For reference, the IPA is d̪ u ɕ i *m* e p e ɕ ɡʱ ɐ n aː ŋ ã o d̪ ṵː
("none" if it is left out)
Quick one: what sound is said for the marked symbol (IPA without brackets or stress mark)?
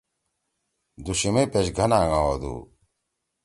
m